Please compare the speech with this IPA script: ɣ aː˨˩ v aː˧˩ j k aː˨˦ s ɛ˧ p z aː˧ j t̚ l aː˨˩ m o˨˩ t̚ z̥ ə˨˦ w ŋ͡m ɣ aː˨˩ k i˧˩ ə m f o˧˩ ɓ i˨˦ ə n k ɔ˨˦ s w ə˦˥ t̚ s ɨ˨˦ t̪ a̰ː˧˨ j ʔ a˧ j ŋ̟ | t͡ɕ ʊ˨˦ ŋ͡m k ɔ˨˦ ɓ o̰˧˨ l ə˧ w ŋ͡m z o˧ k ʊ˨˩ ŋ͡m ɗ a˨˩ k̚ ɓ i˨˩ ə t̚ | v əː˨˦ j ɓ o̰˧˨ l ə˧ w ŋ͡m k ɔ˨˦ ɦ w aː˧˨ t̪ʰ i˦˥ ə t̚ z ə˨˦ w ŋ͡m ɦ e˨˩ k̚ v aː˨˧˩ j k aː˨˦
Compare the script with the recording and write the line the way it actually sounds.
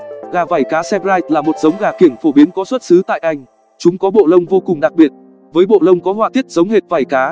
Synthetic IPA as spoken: ɣ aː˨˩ v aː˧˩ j k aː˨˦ s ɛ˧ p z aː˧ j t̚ l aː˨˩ m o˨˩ t̚ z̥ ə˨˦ w ŋ͡m ɣ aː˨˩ k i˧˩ ə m f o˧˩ ɓ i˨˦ ə n k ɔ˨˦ s w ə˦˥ t̚ s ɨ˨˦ t̪ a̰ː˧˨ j ʔ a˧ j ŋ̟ | t͡ɕ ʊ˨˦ ŋ͡m k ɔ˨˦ ɓ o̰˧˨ l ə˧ w ŋ͡m v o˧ k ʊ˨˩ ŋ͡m ɗ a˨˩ k̚ ɓ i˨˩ ə t̚ | v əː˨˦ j ɓ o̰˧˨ l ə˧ w ŋ͡m k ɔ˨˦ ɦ w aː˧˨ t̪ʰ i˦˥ ə t̚ z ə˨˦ w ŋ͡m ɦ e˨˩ t̚ v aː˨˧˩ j k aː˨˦